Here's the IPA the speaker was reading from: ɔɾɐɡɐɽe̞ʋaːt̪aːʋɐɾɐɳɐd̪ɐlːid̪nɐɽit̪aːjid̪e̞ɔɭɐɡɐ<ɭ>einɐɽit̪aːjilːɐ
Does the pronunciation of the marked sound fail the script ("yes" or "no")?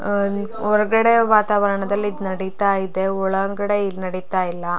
yes